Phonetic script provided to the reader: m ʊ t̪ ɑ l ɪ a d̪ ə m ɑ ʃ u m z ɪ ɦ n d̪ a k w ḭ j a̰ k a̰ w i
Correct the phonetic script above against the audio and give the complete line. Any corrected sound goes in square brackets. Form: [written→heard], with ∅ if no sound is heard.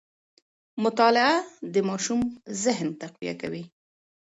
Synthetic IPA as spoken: m ʊ t̪ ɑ l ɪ a d̪ ə m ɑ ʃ u m z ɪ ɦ n [d̪→t̪] a [k→q] w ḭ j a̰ k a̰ w i